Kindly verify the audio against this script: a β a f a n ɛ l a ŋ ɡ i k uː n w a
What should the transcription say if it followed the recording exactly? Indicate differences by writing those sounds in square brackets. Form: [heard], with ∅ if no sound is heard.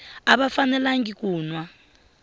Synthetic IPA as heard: a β a f a n ɛ l a ŋ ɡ i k uː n w a